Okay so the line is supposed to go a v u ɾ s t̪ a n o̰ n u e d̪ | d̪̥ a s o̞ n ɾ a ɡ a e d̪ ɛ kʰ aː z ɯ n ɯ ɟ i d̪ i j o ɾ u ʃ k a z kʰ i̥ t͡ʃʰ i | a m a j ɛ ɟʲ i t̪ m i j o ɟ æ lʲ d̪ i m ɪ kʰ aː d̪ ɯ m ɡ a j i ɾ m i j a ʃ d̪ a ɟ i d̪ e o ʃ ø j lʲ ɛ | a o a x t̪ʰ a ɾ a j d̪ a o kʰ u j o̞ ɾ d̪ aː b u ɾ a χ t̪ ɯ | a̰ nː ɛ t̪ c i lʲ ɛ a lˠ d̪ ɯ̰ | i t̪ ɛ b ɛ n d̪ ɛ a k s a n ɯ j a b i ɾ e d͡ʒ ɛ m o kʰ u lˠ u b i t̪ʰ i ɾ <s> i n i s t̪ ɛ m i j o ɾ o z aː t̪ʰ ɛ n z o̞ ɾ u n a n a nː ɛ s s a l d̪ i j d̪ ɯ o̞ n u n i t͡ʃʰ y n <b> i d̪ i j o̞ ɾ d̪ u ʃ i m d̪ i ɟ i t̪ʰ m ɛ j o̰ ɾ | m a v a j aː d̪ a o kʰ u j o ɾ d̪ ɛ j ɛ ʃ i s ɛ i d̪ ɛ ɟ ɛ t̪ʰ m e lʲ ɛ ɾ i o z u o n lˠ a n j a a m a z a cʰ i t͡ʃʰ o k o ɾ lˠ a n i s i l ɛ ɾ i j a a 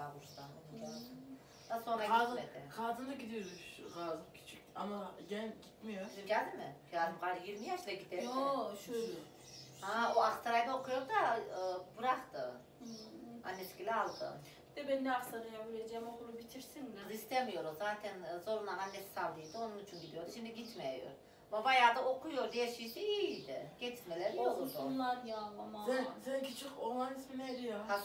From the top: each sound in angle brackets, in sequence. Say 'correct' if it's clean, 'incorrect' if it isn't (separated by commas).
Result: correct, incorrect